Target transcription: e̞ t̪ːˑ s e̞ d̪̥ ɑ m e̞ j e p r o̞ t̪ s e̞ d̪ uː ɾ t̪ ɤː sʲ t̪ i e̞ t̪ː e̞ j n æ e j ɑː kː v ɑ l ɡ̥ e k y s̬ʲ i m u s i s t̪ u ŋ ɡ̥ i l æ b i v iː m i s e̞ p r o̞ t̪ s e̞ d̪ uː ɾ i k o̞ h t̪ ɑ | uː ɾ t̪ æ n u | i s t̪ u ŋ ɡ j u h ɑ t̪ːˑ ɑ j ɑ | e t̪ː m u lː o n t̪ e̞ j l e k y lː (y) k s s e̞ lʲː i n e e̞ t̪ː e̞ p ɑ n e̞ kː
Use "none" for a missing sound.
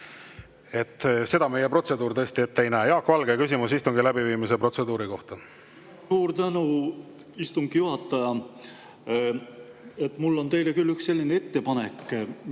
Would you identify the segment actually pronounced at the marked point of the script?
y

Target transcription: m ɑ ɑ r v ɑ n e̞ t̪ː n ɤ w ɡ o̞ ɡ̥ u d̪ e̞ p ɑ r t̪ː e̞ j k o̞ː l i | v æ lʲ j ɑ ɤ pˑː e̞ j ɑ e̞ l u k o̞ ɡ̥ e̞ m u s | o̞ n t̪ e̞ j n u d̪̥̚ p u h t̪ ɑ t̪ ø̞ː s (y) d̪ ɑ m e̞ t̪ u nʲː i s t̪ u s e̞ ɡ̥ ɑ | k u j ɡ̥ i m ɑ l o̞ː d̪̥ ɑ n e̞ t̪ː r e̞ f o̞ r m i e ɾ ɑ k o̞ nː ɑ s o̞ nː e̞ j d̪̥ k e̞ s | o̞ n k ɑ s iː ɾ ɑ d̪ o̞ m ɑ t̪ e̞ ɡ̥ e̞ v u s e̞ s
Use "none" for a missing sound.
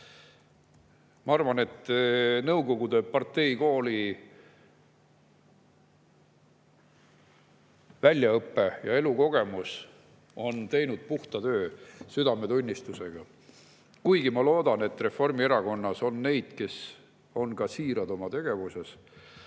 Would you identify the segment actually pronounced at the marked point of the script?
y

